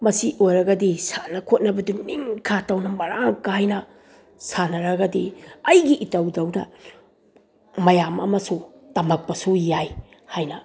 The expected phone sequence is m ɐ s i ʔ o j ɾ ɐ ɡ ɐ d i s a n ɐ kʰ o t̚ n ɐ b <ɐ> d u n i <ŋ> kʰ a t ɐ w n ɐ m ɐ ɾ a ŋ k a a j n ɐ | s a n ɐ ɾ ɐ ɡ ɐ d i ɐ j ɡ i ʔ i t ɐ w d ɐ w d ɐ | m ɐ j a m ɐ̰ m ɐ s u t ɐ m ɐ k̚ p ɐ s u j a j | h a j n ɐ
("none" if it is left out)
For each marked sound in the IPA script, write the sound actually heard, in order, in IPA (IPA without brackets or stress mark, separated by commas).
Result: ɐ, ŋ